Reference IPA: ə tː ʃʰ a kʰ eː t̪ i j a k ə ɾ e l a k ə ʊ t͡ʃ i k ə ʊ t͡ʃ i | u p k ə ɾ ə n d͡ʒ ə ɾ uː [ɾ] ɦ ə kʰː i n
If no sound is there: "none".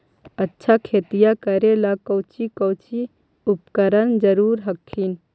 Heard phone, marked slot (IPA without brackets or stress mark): ɾ